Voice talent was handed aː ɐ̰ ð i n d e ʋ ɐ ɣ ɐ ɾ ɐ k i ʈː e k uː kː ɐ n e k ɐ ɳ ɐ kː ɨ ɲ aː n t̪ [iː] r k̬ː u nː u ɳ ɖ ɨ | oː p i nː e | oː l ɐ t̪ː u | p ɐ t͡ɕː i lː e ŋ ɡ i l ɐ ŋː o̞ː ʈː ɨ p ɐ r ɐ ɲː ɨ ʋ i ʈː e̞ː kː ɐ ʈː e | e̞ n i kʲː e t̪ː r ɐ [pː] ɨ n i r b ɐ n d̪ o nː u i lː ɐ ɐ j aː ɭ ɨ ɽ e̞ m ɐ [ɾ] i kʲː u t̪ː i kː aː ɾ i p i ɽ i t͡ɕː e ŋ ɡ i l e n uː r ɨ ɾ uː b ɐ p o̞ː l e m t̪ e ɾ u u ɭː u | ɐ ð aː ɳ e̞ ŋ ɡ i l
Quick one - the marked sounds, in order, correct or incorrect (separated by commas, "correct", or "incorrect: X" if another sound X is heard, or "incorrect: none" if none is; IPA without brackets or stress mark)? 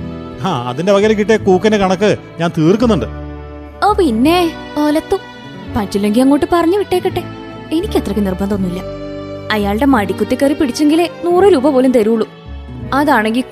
correct, incorrect: kː, incorrect: ɽ